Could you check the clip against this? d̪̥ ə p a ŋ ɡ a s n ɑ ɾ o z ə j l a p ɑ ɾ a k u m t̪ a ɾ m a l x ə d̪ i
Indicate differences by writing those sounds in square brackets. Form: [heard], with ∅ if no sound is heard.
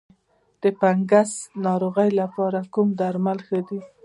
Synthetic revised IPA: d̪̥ ə p a ŋ ɡ a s n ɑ ɾ o [ɣ] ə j l a p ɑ ɾ a k u m [d̪] a ɾ m a l x ə d̪ i